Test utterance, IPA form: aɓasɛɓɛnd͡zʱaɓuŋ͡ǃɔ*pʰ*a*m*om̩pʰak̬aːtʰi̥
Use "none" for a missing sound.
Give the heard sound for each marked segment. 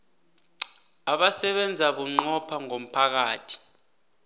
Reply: pʰ, ŋ

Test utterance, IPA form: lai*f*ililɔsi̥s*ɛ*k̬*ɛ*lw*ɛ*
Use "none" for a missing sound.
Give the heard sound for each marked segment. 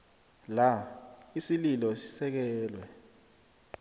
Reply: s, ɛ, ɛː, ɛ

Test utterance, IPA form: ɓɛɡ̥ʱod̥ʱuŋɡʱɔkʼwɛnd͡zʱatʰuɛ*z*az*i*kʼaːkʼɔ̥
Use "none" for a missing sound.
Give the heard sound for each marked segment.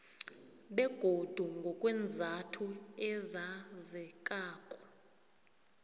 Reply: z, ɛ

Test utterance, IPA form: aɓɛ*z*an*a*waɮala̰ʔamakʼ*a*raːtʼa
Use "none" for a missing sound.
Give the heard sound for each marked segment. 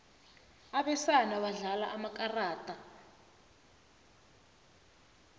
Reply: s, a, a

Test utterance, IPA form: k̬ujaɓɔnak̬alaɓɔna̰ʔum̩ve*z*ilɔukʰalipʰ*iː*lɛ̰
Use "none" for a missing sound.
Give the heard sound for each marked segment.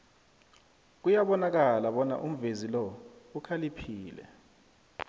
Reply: z, iː

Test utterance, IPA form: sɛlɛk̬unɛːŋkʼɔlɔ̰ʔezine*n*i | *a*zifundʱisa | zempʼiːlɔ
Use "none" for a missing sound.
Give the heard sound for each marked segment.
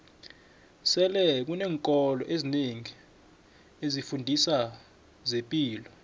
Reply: ŋ, e

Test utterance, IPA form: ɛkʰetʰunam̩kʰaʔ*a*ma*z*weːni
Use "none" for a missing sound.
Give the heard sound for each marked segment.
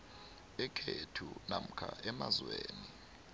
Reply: ɛ, z

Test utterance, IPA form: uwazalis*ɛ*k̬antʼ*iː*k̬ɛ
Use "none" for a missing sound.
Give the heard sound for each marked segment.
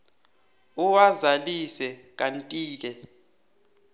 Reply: ɛ, iː

